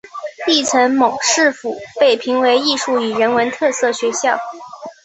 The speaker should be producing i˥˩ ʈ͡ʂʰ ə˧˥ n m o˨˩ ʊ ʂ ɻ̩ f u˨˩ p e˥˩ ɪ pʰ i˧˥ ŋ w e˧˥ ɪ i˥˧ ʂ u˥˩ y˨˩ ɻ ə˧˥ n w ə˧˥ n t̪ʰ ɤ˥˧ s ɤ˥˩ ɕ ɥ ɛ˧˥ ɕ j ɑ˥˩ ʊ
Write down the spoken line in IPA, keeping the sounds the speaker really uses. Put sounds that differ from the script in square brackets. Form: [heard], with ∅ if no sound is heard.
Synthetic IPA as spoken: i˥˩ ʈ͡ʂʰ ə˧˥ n m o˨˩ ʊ ʂ ɻ̩ f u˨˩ p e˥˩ ɪ pʰ i˧˥ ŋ w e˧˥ ɪ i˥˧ ʂ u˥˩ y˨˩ ɻ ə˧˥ n w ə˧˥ n t̪ʰ ɤ˥˧ s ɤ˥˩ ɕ ɥ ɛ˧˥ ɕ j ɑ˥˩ ʊ